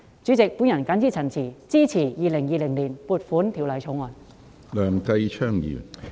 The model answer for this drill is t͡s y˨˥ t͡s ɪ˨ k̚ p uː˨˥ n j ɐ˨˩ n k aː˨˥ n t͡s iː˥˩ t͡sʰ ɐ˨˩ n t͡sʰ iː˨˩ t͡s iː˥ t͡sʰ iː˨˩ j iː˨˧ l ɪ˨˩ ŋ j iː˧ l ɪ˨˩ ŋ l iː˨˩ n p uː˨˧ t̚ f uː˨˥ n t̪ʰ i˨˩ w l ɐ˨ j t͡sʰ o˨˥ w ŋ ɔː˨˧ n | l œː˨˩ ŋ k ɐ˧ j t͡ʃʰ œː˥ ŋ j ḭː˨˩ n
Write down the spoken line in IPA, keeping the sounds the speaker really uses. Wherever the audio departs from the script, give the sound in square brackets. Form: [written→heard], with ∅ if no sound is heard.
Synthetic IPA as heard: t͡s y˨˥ t͡s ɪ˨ k̚ p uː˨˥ n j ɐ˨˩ n k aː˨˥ n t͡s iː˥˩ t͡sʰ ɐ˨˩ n t͡sʰ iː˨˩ t͡s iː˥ t͡sʰ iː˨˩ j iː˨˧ l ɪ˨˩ ŋ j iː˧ l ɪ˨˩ ŋ l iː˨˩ n p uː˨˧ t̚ f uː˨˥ n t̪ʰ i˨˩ w l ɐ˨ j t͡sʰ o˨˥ w ŋ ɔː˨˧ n | l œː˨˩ ŋ k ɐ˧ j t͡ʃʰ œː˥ ŋ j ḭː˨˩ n